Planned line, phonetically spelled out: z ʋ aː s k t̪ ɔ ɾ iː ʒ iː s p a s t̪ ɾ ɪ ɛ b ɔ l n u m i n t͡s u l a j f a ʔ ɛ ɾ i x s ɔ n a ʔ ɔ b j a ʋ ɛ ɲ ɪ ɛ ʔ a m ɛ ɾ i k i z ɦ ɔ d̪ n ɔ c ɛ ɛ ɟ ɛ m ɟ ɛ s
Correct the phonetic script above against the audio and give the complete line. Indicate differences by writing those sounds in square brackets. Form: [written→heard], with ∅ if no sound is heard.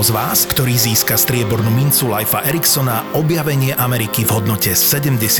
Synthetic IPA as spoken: z ʋ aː s k t̪ ɔ ɾ iː [ʒ→z] iː s [p→k] a s t̪ ɾ ɪ ɛ b ɔ [l→ɾ] n u m i n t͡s u l a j f a ʔ ɛ ɾ i [x→k] s ɔ n a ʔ ɔ b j a ʋ ɛ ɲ ɪ ɛ ʔ a m ɛ ɾ i k i [z→v] ɦ ɔ d̪ n ɔ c ɛ ɛ ɟ ɛ m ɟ ɛ s